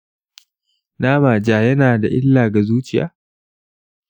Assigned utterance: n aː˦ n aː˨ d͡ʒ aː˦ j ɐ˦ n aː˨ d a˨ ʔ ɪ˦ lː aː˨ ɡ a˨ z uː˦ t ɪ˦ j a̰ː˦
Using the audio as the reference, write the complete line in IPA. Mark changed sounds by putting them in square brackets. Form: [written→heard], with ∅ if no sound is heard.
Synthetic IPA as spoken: n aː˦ [n→m] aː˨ d͡ʒ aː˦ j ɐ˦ n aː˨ d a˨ ʔ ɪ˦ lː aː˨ ɡ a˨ z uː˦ [t→t͡ʃ] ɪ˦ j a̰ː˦